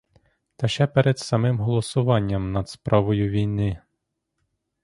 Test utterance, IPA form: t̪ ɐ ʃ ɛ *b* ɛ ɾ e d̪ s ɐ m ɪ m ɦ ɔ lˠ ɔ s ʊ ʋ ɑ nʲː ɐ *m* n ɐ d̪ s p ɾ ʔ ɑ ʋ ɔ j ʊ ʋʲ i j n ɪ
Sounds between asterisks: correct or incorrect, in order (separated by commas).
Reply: incorrect, correct